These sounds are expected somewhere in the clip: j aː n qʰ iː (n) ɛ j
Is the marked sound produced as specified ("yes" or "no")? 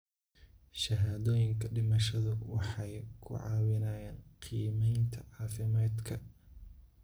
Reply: no